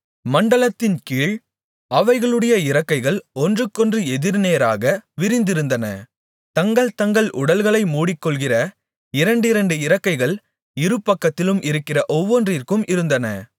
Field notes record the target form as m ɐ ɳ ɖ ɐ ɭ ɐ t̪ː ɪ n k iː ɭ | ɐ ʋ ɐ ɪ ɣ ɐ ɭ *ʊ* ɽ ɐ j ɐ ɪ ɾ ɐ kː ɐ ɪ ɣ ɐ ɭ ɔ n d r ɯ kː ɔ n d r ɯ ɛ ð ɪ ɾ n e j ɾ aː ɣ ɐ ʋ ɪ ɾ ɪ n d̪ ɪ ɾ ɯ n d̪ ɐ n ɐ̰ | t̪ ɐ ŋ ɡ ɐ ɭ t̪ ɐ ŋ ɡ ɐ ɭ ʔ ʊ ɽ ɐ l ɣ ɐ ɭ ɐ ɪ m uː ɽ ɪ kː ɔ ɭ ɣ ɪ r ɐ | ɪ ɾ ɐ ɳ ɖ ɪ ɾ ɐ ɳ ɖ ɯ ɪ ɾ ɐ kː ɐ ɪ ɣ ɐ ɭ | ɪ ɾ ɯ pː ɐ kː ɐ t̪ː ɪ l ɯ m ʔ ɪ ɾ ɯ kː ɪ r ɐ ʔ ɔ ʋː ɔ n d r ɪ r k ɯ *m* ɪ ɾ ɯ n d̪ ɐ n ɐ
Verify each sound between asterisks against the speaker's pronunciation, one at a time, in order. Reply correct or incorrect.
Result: incorrect, correct

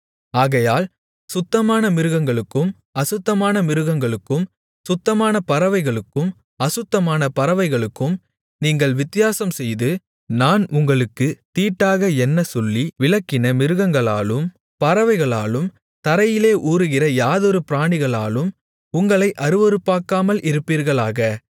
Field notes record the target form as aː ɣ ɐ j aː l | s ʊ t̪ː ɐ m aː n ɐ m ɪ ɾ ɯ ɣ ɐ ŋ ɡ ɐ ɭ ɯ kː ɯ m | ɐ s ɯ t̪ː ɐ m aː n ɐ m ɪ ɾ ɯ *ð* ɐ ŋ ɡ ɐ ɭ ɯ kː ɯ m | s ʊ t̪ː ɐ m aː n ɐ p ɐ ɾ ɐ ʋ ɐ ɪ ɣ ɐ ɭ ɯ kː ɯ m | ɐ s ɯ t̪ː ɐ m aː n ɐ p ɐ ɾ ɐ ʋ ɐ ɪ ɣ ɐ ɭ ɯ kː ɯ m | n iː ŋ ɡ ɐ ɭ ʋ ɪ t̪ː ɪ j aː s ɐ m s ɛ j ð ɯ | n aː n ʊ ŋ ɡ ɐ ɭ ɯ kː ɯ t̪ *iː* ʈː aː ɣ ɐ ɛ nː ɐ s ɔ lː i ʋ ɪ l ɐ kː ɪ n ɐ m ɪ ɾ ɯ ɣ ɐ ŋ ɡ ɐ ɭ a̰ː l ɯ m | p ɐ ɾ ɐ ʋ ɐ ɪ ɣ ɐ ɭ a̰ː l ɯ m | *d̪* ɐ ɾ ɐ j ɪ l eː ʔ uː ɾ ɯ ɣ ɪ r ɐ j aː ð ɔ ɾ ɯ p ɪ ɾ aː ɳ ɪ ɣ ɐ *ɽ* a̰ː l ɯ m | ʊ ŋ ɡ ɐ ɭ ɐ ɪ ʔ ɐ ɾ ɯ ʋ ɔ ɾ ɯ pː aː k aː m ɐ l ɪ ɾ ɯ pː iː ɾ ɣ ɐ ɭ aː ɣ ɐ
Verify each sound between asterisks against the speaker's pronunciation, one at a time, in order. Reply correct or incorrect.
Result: incorrect, correct, incorrect, incorrect

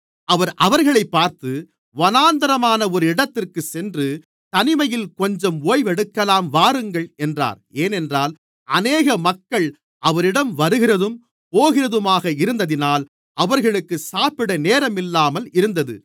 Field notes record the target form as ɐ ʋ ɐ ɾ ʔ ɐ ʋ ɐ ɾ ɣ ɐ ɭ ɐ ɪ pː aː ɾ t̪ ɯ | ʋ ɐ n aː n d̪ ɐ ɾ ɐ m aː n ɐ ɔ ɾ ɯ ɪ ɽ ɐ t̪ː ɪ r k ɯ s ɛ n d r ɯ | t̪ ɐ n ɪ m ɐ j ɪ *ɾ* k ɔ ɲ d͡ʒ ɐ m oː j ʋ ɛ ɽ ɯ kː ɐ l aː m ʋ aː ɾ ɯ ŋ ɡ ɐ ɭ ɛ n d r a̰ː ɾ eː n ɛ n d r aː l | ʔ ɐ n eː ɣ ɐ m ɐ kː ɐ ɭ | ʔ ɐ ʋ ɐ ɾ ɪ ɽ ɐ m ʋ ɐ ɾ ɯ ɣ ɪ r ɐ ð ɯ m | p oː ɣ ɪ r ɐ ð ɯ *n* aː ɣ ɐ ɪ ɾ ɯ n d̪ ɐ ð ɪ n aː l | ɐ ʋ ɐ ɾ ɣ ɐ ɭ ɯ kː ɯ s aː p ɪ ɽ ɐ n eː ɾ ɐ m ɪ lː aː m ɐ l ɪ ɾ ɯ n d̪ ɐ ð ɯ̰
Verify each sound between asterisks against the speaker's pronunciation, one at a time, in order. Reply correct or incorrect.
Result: incorrect, incorrect

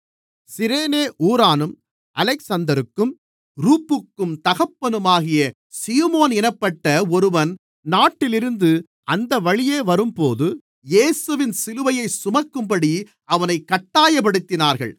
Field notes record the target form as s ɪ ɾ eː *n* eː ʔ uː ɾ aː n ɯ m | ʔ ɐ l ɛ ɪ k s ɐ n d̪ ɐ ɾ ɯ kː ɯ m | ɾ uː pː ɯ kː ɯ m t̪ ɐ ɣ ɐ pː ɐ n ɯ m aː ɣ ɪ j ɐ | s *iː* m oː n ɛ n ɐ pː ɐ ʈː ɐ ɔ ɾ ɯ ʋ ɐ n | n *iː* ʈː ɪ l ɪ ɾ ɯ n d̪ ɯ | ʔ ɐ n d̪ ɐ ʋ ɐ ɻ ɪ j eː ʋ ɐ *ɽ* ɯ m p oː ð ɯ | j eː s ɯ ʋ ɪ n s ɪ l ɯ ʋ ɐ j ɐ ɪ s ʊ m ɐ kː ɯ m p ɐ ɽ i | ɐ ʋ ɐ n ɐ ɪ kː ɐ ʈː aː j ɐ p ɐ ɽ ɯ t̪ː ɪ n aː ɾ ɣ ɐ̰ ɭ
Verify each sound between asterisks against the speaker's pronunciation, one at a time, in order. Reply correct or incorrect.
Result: correct, correct, incorrect, incorrect

